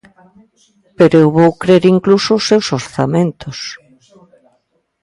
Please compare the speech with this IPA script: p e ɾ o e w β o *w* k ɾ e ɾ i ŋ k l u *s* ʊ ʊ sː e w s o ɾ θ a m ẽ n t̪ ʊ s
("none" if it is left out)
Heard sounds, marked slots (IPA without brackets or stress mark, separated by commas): w, s